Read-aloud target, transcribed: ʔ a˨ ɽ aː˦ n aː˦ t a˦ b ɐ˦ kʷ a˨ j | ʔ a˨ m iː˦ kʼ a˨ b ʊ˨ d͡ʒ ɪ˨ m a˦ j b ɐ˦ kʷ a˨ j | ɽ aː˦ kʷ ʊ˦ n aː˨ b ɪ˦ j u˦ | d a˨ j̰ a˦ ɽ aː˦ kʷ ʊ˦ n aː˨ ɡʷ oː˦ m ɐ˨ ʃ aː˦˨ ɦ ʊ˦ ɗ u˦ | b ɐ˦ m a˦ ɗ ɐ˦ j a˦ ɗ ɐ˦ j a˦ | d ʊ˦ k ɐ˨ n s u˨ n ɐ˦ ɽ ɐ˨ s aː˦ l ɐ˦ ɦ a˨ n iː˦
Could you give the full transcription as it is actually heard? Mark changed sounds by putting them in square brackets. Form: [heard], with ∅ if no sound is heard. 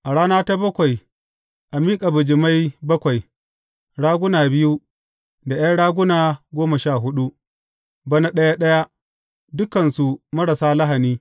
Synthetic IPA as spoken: ʔ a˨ ɽ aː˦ n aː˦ t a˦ b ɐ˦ kʷ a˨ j | ʔ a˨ m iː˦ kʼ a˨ b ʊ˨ d͡ʒ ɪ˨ m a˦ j b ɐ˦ kʷ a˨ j | ɽ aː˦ [ɡʷ] ʊ˦ n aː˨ b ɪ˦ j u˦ | d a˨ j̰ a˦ ɽ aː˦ [ɡʷ] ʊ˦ n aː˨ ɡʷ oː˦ m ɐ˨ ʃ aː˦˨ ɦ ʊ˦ ɗ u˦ | b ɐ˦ [n] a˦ ɗ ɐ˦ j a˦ ɗ ɐ˦ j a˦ | d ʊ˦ k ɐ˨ n s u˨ [m] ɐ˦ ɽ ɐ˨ s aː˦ l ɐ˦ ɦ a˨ n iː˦